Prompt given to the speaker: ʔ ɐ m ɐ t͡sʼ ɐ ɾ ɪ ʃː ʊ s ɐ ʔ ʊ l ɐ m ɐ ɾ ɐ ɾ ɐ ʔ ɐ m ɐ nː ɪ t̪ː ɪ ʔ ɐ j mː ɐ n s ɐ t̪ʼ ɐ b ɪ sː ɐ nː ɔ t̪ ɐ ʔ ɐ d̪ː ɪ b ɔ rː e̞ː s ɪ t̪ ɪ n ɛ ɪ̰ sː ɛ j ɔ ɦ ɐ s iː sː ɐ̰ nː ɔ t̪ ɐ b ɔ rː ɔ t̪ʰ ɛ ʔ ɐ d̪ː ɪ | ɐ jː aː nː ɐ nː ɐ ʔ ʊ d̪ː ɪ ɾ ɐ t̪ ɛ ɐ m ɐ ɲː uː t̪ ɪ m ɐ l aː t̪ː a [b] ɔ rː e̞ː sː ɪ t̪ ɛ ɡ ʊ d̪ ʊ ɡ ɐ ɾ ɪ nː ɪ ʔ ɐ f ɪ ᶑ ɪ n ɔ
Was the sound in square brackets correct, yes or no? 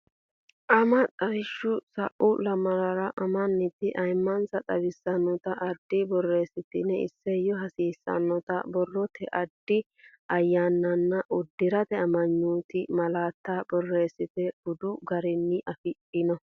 yes